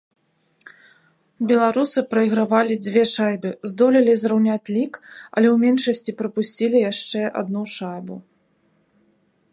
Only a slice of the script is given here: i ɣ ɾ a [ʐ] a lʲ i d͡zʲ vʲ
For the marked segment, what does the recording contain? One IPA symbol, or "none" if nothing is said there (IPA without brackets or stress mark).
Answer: v